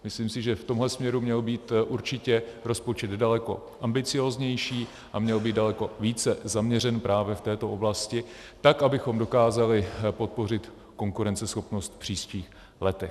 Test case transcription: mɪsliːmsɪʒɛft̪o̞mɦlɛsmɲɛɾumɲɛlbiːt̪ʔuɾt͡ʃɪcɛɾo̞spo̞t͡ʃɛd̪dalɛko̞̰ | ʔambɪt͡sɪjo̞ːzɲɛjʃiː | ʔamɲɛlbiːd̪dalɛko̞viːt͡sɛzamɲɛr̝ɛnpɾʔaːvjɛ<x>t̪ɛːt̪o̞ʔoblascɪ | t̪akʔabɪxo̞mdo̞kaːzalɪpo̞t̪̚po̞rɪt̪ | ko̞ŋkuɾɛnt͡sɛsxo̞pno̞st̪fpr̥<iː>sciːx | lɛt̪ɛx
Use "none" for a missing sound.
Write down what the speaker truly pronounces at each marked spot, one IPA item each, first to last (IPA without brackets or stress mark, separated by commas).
f, iː